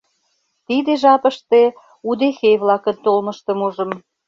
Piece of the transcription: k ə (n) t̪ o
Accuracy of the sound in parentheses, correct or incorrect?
correct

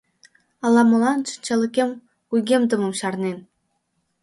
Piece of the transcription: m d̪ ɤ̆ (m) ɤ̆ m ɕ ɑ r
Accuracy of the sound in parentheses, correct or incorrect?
correct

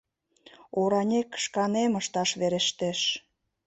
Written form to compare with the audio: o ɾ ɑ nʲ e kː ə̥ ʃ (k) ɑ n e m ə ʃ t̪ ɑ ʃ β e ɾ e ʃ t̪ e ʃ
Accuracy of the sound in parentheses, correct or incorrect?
correct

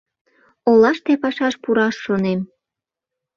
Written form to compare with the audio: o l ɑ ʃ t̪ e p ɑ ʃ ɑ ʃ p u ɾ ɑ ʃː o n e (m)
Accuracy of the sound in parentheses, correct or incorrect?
correct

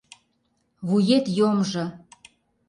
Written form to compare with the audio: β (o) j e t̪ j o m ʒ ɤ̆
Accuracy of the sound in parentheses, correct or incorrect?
incorrect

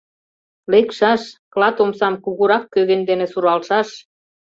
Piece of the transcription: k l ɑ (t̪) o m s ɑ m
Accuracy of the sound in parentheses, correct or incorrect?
correct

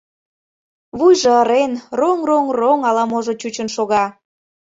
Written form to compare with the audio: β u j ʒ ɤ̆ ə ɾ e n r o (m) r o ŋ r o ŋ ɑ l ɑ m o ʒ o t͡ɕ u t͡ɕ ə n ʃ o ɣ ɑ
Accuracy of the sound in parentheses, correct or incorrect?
incorrect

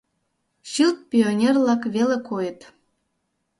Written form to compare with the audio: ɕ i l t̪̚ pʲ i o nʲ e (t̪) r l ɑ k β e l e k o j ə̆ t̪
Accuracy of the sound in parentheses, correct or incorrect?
incorrect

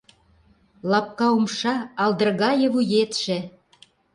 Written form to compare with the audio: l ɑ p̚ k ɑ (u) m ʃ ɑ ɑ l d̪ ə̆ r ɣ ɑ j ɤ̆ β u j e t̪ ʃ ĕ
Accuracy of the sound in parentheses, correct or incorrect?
correct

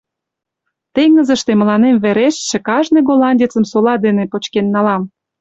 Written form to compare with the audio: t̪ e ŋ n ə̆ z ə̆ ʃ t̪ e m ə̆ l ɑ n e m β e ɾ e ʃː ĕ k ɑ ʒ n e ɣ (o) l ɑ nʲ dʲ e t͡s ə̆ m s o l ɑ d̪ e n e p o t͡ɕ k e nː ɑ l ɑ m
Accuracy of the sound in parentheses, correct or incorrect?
correct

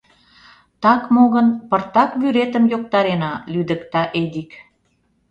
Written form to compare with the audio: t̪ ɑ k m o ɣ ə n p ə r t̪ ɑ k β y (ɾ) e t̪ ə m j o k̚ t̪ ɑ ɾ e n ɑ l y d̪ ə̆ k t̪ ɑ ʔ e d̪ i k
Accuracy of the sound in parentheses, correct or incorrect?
correct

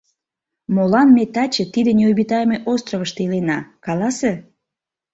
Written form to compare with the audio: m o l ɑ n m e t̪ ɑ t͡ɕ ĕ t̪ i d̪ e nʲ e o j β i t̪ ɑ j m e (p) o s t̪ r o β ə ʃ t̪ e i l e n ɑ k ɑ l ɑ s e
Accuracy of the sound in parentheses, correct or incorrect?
incorrect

